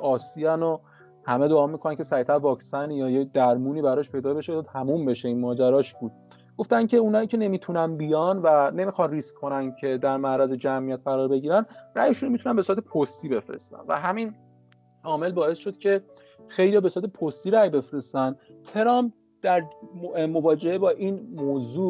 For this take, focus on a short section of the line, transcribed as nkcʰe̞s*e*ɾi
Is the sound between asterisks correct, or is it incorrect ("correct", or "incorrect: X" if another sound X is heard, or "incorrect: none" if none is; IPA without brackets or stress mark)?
incorrect: æ